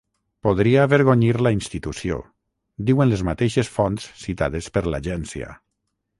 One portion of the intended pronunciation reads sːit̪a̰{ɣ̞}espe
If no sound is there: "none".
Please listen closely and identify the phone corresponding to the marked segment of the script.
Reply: ð̞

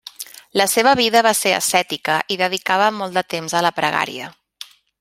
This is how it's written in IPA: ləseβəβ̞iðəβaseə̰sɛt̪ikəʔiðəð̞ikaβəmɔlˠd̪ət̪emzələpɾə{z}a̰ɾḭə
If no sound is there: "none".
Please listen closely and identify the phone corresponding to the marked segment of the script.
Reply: ɣ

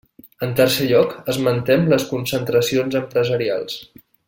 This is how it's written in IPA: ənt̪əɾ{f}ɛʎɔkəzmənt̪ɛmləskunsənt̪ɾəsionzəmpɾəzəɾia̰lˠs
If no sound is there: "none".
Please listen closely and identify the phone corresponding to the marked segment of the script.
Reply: s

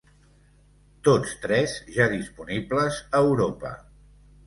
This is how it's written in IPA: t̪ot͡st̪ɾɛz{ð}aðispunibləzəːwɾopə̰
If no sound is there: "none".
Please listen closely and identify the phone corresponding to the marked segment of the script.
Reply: ʒ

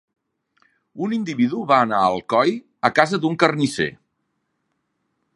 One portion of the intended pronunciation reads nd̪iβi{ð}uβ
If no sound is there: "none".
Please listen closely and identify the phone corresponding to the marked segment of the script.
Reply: ð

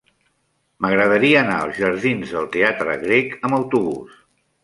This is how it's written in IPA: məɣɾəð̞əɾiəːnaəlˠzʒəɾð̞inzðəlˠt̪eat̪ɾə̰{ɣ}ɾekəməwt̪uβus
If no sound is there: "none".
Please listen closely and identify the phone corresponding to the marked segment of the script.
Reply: ɣ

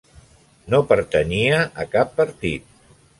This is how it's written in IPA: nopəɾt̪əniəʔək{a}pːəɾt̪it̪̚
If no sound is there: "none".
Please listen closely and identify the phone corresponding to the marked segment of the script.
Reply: a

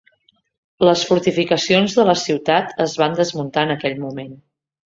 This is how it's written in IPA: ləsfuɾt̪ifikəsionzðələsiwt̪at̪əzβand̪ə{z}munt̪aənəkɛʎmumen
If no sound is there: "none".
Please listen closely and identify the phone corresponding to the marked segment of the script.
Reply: z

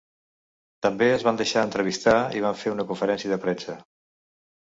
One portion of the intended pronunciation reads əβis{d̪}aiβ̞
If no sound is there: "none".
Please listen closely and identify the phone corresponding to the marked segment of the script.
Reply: t̪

